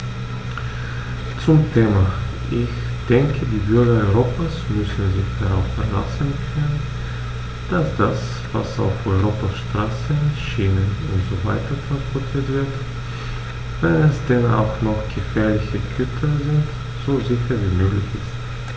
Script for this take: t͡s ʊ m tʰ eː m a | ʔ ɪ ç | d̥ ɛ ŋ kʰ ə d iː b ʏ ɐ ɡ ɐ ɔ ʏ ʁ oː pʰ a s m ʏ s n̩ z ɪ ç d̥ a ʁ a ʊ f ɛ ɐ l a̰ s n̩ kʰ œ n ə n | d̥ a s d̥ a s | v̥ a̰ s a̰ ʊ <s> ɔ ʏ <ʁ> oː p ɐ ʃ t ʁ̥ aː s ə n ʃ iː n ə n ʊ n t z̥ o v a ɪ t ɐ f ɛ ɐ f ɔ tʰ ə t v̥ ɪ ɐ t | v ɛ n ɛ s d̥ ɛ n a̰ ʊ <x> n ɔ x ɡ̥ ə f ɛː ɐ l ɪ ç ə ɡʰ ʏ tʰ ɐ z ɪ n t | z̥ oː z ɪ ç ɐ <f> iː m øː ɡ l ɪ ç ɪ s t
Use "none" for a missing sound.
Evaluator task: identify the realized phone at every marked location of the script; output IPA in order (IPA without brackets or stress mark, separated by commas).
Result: f, ʁ, x, v